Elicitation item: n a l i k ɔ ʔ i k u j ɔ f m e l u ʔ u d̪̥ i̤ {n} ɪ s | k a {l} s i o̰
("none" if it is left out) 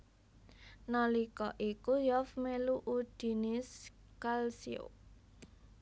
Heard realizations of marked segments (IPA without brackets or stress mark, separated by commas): n, l